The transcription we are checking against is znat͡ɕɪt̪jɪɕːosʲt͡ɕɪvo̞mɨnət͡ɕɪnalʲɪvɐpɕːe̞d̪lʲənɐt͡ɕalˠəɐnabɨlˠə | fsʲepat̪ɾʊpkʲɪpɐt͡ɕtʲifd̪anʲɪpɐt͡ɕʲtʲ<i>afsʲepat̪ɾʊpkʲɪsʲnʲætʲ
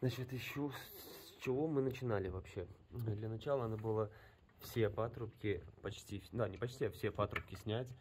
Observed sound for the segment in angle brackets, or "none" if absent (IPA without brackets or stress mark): i